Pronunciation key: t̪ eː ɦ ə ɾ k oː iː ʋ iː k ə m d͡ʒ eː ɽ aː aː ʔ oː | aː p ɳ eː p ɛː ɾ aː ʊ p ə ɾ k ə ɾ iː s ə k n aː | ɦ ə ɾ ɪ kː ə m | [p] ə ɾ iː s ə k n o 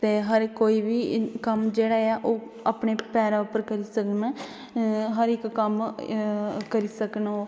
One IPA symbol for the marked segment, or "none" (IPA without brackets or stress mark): k